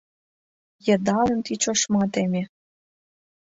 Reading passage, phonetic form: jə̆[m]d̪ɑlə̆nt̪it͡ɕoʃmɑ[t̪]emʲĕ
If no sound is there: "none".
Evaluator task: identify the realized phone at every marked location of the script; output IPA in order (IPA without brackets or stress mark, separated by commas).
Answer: none, t̪